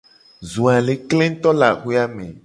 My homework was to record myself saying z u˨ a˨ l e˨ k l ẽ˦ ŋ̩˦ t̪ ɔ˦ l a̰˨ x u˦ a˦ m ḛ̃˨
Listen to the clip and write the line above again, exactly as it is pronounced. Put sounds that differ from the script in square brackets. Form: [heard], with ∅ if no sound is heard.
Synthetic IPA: z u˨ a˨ l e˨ k l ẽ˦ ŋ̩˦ t̪ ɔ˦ l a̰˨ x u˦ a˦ m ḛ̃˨